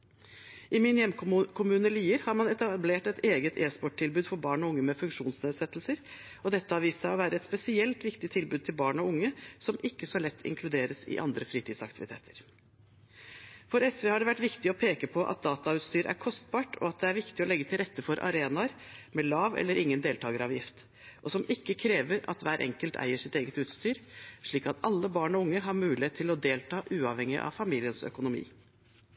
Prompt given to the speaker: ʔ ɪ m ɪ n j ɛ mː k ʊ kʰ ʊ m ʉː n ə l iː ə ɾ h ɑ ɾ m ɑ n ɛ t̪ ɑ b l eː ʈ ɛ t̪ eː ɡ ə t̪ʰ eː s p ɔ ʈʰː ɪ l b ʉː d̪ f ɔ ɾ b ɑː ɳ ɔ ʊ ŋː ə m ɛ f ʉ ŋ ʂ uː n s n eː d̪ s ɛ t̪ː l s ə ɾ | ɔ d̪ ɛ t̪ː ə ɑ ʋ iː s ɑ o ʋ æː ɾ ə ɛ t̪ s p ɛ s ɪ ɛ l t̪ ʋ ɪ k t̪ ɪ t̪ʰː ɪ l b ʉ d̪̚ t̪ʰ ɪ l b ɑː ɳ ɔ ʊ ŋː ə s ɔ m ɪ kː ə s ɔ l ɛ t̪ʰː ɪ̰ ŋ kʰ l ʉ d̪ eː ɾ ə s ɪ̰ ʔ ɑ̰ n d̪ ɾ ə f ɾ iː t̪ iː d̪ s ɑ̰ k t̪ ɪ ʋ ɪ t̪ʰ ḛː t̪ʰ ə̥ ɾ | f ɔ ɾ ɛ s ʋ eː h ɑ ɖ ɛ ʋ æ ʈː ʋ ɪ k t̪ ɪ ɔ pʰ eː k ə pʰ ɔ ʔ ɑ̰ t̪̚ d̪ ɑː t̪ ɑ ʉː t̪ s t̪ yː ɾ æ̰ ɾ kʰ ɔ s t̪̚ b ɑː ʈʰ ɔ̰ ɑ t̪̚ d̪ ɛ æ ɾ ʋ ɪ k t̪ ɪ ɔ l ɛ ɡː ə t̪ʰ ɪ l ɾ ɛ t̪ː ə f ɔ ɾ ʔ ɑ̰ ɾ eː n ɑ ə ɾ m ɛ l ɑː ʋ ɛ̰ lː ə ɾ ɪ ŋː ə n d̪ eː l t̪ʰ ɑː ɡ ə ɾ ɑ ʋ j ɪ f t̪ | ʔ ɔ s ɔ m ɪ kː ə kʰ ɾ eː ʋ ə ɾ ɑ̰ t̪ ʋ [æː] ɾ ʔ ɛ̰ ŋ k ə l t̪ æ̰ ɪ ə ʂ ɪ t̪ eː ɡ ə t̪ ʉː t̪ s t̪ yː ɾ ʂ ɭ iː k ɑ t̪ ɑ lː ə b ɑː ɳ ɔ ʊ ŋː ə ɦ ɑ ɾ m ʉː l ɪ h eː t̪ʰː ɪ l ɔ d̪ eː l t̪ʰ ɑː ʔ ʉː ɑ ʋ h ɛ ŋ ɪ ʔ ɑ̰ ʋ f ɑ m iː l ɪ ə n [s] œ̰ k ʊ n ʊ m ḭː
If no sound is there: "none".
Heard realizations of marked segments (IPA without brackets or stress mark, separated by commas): æː, s